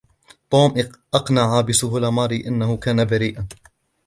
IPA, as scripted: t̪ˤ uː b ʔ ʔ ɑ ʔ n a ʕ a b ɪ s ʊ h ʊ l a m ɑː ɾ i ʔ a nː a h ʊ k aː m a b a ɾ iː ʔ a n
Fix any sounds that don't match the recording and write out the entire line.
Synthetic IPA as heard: t̪ˤ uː m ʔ ʔ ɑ q n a ʕ a b ɪ s ʊ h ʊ l a m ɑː ɾ i ʔ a nː a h ʊ k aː n a b a ɾ iː ʔ a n